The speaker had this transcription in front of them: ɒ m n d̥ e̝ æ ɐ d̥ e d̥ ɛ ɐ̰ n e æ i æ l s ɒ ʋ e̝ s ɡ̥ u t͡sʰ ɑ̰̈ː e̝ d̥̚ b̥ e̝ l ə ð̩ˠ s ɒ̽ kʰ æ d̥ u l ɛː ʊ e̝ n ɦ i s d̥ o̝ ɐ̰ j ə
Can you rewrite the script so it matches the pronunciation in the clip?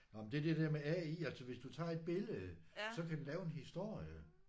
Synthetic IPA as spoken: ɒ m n d̥ e̝ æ ɐ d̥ e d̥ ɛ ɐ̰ m e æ i æ l s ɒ ʋ e̝ s d̥ u t͡sʰ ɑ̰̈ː e̝ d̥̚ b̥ e̝ l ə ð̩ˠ s ɒ̽ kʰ æ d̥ u l ɛː ʊ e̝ n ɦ i s d̥ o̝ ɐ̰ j ə